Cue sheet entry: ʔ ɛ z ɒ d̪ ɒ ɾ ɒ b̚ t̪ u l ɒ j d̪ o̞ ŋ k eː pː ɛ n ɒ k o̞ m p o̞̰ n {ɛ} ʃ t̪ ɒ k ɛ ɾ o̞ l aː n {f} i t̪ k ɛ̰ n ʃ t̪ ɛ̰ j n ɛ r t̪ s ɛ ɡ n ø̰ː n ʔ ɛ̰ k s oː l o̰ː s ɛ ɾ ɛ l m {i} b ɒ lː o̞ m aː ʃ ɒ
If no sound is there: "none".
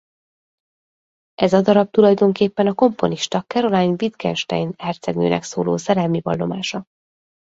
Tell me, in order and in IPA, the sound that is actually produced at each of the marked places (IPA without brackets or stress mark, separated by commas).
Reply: i, v, i